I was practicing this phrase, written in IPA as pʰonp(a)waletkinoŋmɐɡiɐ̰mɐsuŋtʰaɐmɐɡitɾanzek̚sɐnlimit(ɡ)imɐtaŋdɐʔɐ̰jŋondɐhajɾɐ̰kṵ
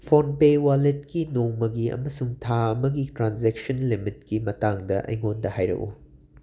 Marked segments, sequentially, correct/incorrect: incorrect: e, incorrect: k

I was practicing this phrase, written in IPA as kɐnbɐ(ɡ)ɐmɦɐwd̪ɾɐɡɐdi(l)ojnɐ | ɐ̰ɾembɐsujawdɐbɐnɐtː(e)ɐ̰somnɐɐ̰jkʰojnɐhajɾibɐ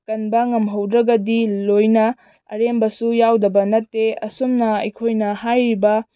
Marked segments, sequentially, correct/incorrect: incorrect: ŋ, correct, correct

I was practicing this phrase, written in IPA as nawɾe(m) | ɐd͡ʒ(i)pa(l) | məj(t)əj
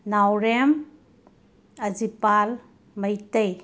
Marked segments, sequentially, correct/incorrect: correct, correct, correct, correct

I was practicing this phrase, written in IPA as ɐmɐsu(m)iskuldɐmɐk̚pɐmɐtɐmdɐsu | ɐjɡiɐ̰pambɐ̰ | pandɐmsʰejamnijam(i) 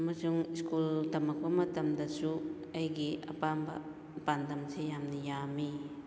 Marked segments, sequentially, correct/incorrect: incorrect: ŋ, correct

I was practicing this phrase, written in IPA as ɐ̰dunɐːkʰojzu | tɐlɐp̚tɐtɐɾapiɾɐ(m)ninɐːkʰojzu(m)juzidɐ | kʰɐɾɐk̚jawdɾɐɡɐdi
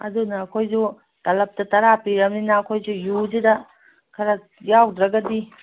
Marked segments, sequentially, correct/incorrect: correct, incorrect: none

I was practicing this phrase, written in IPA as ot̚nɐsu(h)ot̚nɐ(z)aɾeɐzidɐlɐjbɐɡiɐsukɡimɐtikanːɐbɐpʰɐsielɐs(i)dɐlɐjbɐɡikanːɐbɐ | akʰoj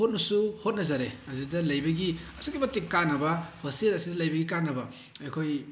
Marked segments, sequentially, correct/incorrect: correct, correct, correct

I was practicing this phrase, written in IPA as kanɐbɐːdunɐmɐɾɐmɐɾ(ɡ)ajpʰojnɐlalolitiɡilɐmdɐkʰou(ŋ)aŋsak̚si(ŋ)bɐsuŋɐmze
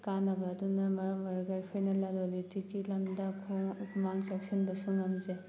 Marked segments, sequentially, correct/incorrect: correct, incorrect: m, incorrect: n

